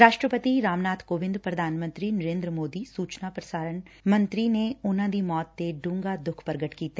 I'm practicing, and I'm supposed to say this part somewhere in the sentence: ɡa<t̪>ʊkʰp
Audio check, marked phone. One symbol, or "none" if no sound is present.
d̪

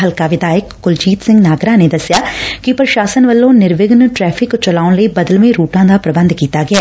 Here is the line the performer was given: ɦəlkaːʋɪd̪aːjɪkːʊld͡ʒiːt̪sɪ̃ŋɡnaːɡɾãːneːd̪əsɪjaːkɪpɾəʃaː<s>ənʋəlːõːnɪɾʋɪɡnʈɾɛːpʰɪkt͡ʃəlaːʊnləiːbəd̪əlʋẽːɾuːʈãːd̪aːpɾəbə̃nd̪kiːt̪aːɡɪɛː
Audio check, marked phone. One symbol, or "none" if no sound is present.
s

